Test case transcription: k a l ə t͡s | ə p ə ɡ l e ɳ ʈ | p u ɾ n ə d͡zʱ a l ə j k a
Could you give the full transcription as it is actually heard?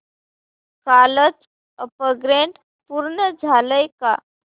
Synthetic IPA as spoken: k a l ə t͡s | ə p ə ɡ ɾ e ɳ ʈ | p u ɾ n ə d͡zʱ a l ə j k a

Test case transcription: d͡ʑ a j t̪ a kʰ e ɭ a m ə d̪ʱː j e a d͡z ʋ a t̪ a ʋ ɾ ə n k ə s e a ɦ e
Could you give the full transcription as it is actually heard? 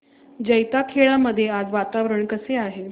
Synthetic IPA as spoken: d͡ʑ ə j t̪ a kʰ e ɭ a m ə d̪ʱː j e a d͡z ʋ a t̪ a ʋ ɾ ə ɳ k ə s e a ɦ e

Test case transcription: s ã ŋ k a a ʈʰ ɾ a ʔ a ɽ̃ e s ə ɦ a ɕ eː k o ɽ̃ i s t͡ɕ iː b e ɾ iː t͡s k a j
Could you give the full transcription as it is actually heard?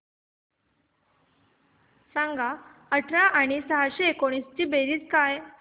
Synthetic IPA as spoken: s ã ŋ ɡ a ə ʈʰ ɾ a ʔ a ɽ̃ i s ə ɦ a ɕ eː k o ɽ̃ i s t͡ɕ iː b e ɾ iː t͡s k a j

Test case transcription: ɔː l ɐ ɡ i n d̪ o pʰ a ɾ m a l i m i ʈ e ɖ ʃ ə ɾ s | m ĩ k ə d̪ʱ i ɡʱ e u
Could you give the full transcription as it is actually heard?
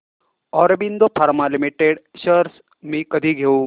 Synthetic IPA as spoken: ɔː ɾ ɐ b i n d̪ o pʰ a ɾ m a l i m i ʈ e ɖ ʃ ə ɾ s | m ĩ k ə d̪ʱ i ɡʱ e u

